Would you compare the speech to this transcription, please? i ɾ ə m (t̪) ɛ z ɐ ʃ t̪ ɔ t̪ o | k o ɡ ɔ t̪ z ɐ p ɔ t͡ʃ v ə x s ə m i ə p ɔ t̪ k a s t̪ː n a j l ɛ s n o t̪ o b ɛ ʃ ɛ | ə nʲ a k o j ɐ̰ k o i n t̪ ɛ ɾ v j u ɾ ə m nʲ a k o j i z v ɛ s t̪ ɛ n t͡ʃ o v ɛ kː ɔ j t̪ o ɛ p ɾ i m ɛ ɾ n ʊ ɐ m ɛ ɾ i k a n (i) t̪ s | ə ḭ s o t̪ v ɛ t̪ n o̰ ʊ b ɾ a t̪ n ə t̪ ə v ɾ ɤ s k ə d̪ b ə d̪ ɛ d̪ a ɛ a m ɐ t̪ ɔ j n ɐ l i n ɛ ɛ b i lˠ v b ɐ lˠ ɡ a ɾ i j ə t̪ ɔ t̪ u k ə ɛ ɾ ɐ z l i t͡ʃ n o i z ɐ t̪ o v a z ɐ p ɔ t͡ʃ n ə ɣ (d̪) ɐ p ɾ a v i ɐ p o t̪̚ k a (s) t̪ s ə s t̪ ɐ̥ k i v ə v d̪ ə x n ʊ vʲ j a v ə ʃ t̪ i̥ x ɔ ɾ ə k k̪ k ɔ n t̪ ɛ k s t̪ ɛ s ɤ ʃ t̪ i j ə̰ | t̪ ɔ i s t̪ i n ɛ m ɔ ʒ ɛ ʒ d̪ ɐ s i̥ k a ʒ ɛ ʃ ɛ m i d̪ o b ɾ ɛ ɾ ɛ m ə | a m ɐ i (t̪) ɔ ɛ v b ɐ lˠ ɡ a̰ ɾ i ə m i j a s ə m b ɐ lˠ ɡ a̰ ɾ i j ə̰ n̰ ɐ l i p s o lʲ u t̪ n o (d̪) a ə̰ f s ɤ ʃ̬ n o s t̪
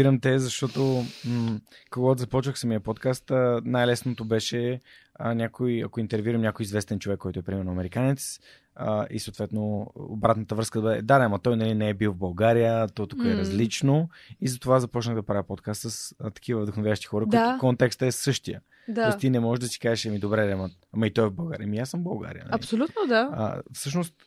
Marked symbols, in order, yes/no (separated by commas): yes, no, yes, yes, yes, yes